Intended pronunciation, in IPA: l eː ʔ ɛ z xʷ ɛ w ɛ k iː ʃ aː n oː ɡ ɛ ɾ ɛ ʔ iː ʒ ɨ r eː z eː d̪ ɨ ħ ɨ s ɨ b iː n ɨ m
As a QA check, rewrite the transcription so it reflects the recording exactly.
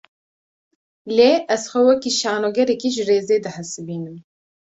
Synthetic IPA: l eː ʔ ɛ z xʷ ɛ w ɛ k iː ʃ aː n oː ɡ ɛ ɾ ɛ k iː ʒ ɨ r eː z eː d̪ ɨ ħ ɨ s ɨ b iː n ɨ m